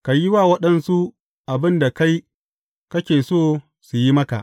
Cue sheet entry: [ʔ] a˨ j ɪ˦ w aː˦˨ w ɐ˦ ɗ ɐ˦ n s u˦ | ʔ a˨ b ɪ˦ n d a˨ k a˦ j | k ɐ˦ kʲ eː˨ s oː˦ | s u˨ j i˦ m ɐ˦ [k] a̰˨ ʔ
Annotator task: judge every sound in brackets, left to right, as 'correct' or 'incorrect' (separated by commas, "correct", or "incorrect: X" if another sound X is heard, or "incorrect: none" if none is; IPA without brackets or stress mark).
incorrect: k, correct